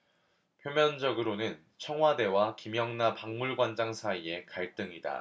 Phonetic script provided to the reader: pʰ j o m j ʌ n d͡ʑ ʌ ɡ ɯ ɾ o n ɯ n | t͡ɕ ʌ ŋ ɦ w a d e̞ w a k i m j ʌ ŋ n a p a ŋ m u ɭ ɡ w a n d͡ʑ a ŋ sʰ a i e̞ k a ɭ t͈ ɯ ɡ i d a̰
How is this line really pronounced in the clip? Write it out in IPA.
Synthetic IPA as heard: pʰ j o m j ʌ n d͡ʑ ʌ ɡ ɯ ɾ o n ɯ n | t͡ɕʰ ʌ ŋ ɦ w a d e̞ w a k i m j ʌ ŋ n a p a ŋ m u ɭ ɡ w a n d͡ʑ a ŋ sʰ a i e̞ k a ɭ t͈ ɯ ŋ i d a̰